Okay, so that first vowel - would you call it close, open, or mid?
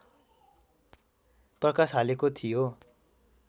mid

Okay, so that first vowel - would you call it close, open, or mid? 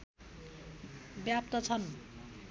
open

